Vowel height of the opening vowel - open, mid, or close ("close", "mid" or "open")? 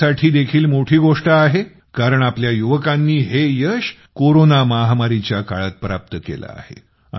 open